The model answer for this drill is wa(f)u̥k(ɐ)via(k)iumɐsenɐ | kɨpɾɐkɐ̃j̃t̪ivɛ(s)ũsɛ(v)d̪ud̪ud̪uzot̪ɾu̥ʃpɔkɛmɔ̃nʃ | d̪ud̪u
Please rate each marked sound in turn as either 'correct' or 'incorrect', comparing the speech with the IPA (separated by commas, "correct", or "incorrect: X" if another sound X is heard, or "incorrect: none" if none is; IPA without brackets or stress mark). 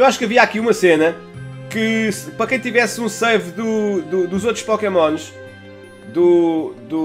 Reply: incorrect: ʃ, correct, correct, correct, correct